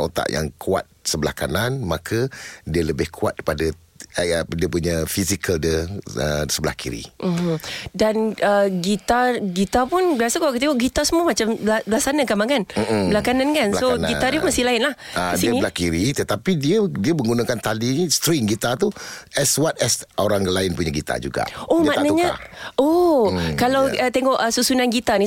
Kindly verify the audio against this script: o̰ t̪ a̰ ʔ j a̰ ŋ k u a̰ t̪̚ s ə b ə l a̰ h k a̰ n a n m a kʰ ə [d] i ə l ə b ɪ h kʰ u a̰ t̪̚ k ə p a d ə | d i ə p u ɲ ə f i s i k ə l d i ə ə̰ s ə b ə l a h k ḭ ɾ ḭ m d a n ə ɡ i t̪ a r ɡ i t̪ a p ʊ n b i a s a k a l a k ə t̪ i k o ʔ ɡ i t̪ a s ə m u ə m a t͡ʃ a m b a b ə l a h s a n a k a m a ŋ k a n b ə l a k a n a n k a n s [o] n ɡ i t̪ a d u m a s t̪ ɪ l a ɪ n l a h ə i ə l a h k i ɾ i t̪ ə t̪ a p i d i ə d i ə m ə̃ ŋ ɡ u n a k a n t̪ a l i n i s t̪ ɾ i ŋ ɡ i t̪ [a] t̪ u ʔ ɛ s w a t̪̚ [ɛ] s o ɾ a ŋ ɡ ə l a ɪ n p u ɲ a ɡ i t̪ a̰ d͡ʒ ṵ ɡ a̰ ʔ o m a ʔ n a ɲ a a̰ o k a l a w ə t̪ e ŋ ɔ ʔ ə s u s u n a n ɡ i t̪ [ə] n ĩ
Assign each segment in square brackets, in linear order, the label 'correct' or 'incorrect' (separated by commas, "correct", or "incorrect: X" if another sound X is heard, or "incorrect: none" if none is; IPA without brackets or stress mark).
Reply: correct, correct, correct, correct, incorrect: a